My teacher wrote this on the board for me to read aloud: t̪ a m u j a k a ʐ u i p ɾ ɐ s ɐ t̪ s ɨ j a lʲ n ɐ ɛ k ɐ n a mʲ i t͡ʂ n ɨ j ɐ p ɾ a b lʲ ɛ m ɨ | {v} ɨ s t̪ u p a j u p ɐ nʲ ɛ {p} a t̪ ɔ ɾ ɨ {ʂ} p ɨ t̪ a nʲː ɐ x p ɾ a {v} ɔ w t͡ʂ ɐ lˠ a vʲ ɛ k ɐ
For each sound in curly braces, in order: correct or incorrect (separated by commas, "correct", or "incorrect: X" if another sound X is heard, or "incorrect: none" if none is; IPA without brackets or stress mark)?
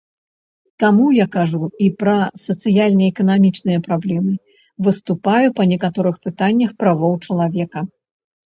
correct, incorrect: k, incorrect: x, correct